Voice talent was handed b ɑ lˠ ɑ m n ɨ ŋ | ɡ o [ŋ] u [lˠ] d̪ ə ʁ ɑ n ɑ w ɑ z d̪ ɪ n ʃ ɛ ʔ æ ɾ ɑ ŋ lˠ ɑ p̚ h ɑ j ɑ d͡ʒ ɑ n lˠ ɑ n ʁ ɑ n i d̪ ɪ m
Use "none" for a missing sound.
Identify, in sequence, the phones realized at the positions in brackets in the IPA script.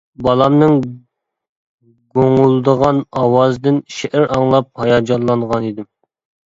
ŋ, lˠ

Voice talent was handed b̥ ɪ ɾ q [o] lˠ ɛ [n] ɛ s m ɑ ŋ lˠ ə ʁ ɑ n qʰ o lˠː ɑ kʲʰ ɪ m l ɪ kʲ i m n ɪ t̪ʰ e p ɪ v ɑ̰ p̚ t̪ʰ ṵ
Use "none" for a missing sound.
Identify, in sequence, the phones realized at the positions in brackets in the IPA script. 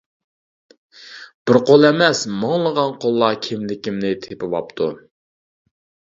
o, m

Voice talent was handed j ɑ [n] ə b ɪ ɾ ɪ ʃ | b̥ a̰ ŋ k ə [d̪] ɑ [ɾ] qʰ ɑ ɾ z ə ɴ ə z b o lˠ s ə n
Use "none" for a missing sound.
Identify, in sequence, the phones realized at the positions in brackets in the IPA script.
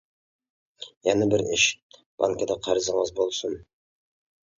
n, d̪, none

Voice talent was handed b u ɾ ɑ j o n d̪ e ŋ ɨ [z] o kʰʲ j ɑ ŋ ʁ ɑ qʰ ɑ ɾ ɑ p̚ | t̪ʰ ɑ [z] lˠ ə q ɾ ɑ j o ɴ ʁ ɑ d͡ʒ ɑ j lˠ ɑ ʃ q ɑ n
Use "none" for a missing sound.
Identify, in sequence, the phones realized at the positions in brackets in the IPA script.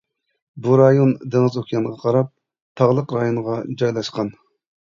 z, ʁ

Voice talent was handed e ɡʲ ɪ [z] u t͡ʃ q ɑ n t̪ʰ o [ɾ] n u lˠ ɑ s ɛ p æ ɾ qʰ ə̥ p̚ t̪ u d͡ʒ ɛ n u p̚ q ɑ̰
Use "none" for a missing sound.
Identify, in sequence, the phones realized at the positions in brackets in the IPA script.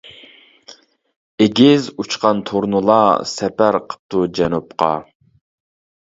z, ɾ

